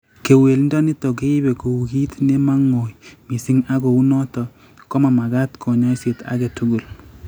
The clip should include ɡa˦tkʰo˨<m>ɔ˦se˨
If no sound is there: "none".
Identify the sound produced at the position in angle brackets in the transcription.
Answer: ɲ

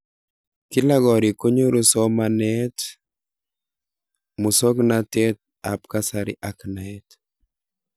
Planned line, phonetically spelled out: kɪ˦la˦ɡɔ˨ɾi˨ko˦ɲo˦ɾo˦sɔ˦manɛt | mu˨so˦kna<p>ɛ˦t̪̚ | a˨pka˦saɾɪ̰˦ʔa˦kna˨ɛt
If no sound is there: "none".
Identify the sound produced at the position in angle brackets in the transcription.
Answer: t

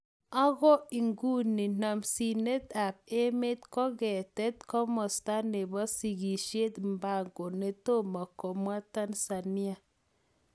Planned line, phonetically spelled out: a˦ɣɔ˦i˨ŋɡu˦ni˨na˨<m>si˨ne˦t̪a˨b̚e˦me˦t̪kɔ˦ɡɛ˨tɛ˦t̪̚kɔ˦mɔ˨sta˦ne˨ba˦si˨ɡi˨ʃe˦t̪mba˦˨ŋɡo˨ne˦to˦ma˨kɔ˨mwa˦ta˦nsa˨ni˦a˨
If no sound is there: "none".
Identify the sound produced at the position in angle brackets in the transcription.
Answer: m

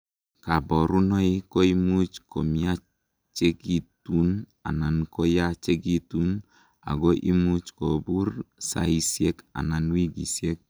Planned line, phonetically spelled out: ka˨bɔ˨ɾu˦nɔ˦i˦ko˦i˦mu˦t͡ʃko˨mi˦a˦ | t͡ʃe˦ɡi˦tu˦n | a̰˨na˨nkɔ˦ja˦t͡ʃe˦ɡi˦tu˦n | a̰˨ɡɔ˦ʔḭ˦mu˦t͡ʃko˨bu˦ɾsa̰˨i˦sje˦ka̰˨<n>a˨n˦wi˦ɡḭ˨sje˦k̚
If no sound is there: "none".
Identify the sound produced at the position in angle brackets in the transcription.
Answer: n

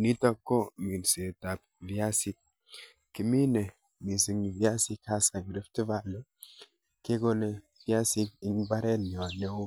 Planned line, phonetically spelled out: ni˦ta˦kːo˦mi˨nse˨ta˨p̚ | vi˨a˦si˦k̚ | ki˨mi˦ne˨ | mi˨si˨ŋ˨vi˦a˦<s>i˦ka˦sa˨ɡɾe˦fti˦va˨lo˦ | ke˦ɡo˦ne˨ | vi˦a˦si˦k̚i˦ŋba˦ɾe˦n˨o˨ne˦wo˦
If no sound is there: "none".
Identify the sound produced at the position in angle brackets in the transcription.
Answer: s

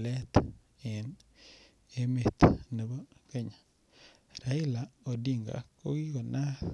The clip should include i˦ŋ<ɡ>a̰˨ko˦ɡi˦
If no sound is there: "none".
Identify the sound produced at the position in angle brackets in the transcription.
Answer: ɡ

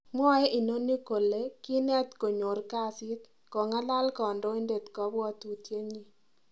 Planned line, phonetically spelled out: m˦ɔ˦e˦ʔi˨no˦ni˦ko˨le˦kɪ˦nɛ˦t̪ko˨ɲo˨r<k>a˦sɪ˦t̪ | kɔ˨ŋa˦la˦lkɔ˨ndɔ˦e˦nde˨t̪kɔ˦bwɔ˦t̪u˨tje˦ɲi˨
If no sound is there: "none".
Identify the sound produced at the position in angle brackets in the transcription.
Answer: k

